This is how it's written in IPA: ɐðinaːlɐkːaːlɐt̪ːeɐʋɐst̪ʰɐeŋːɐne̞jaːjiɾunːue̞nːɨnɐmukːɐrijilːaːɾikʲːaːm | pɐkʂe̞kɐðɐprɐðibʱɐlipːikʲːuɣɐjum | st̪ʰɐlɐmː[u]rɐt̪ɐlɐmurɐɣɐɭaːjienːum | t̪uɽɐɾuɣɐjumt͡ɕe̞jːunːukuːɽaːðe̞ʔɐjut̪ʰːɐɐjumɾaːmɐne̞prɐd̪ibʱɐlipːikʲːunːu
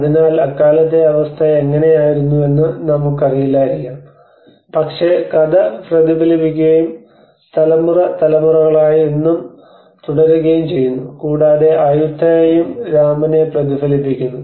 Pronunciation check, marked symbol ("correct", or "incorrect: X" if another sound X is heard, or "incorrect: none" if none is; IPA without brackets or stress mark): correct